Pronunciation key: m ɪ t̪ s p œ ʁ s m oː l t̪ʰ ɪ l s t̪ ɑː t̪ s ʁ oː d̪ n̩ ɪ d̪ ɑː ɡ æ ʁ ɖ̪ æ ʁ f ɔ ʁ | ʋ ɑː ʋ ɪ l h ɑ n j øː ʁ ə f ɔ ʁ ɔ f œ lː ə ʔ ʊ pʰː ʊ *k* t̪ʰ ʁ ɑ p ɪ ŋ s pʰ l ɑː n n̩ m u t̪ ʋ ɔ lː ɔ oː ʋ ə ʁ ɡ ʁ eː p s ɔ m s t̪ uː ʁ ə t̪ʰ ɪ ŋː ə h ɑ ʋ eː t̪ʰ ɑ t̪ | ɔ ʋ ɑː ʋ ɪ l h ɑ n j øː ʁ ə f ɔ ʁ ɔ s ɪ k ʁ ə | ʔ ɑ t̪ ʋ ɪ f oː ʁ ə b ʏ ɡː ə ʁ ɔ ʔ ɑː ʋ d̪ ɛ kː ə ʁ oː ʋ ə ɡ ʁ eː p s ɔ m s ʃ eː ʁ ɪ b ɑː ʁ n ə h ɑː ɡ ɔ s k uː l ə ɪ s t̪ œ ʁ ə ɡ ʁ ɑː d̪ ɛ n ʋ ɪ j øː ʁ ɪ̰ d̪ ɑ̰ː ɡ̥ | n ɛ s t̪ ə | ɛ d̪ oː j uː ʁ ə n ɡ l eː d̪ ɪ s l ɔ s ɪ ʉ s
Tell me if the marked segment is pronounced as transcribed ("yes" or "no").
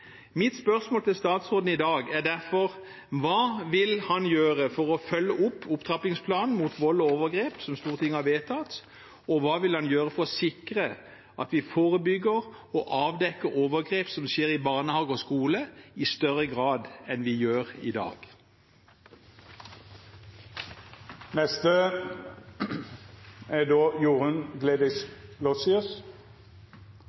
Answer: no